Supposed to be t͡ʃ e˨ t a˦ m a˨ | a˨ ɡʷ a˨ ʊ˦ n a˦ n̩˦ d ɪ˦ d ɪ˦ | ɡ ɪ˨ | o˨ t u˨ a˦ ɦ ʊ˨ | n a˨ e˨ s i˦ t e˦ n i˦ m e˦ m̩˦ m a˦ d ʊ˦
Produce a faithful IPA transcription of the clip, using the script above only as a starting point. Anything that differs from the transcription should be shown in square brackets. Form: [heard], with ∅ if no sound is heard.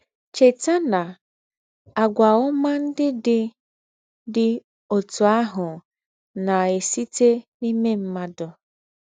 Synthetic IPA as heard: t͡ʃ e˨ t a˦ [n] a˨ | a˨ ɡʷ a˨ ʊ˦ [m] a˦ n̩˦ d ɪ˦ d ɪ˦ | [d] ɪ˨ | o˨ t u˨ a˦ ɦ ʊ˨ | n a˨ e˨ s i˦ t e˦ n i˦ m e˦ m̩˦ m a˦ d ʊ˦